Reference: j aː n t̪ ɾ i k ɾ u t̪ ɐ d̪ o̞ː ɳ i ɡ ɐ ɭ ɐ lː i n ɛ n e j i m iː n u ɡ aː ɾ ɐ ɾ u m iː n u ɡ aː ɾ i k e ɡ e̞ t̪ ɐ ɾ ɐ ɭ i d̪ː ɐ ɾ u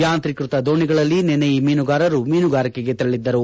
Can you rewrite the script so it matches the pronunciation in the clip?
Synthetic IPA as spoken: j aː n t̪ ɾ i k ɾ u t̪ ɐ d̪ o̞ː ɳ i ɡ ɐ ɭ ɐ lː i n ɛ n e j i m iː n u ɡ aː ɾ ɐ ɾ u m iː n u ɡ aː ɾ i k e ɡ e̞ t̪ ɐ ɾ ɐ ɭ i d̪ː ɐ ɾ u